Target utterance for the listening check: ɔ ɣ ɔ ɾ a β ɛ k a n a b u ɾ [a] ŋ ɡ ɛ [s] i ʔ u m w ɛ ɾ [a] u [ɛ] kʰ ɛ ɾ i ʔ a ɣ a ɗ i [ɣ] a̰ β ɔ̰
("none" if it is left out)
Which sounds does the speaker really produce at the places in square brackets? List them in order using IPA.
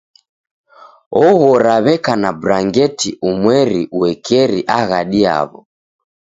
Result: a, t, i, ɛ, none

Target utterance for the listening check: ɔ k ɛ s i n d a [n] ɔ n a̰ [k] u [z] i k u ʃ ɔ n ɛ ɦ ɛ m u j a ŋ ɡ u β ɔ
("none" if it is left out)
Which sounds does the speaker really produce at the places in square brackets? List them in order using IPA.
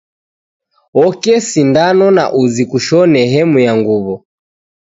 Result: n, ʔ, z

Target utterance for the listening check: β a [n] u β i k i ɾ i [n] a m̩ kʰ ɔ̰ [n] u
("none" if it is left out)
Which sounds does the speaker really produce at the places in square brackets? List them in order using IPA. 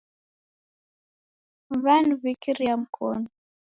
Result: n, none, n

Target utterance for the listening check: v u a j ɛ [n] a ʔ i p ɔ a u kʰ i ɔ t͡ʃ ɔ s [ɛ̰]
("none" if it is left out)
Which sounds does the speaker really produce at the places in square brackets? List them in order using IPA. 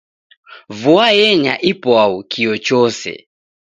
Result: ɲ, ɛ̰

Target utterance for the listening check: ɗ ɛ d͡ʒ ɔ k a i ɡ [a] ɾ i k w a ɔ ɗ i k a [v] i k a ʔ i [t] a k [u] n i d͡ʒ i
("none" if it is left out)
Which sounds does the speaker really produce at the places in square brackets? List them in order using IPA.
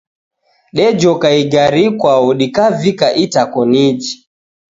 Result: a, v, t, ɔ

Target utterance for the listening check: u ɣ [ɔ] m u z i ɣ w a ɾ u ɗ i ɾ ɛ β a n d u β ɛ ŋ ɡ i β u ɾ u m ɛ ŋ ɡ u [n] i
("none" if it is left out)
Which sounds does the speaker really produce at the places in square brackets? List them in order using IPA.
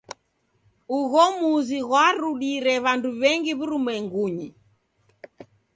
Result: ɔ, ɲ

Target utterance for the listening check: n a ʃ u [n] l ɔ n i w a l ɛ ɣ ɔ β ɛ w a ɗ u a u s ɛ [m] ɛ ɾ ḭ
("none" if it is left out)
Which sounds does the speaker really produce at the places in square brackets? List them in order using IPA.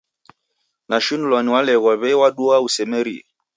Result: n, m

